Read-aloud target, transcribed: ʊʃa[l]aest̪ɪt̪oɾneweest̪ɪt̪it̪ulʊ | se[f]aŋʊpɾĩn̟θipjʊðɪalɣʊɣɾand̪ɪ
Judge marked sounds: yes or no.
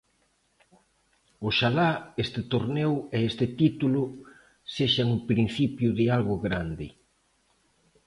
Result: yes, no

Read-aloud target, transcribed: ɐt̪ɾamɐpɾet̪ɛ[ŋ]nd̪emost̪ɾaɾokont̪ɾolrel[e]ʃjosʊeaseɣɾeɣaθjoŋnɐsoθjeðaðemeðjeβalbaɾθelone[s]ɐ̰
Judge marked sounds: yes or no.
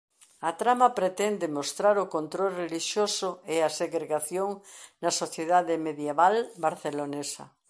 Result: no, no, yes

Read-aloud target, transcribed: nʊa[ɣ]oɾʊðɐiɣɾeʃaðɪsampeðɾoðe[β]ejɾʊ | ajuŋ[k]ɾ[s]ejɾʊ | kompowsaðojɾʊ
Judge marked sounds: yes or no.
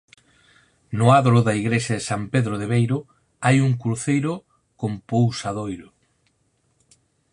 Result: no, yes, yes, no

